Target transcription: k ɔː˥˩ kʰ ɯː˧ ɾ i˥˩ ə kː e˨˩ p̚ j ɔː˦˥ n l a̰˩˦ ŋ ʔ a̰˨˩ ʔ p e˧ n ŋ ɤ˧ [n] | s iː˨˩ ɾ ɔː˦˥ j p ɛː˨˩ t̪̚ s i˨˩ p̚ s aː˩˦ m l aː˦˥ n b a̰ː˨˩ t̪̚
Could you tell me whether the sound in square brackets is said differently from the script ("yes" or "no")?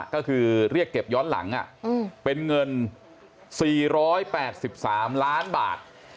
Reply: no